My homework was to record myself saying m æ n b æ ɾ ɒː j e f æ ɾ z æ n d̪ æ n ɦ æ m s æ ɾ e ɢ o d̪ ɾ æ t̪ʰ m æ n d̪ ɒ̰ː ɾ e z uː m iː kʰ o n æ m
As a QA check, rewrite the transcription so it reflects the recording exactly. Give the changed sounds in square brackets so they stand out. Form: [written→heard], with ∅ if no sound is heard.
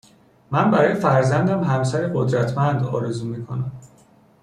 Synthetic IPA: m æ n b æ ɾ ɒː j e f æ ɾ z æ n d̪ æ [n→m] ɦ æ m s æ ɾ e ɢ o d̪ ɾ æ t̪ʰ m æ n d̪ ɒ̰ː ɾ e z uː m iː kʰ o n æ m